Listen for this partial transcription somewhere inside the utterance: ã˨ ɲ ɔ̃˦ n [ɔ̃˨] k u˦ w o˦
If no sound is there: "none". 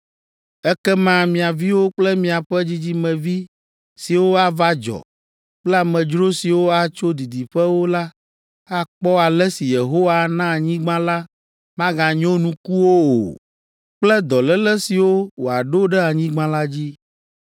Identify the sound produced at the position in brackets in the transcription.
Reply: ũ˨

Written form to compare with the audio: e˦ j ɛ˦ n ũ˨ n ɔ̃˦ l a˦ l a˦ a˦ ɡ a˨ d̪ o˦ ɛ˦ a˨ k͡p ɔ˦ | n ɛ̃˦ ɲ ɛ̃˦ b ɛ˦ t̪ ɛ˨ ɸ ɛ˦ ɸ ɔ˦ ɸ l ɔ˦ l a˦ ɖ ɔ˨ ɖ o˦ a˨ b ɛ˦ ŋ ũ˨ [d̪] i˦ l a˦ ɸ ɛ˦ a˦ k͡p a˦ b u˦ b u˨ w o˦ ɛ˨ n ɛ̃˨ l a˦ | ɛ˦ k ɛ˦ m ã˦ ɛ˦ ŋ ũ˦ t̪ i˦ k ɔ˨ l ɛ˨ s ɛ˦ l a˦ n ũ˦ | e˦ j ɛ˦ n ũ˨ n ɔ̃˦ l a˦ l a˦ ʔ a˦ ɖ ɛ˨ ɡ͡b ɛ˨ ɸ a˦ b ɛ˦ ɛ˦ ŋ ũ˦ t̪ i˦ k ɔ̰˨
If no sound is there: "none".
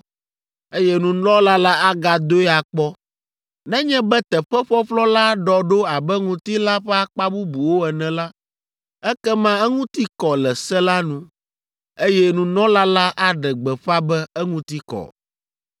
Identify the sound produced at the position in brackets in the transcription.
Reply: t̪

